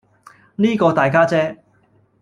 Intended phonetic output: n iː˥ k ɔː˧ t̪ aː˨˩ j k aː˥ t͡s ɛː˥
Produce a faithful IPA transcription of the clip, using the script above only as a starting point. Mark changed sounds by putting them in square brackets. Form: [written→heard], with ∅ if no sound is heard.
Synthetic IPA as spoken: n iː˥ k ɔː˧ t̪ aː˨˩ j k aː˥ t͡s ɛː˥